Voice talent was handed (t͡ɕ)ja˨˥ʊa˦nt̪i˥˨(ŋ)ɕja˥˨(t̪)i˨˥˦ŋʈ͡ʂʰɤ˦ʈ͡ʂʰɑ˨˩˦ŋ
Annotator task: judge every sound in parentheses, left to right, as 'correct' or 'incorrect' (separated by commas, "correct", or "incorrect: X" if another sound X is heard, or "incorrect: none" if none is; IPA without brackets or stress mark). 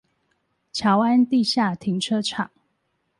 incorrect: t͡ɕʰ, incorrect: none, incorrect: t̪ʰ